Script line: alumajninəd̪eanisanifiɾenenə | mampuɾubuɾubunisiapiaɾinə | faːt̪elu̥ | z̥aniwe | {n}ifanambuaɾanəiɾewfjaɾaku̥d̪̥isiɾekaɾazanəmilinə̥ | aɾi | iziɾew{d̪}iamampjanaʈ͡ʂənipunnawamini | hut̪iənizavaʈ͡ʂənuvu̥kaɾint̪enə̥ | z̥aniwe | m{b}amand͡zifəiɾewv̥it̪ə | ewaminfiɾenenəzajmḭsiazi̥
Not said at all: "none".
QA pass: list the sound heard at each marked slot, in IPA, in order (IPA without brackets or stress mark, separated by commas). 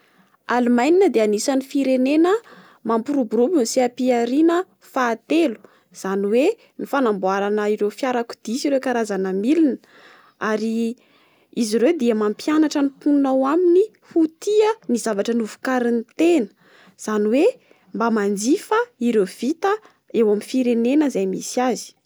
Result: n, d̪, b